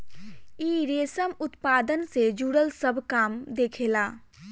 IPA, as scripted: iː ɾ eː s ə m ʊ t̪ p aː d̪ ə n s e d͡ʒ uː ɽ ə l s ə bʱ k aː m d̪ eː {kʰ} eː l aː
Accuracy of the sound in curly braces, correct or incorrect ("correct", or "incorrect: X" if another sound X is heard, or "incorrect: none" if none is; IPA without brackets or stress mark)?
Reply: correct